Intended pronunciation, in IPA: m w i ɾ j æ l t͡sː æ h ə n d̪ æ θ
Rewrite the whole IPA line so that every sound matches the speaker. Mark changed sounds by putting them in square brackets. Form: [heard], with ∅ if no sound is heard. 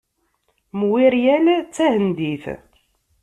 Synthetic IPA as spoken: m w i ɾ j æ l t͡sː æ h ə n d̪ [i] θ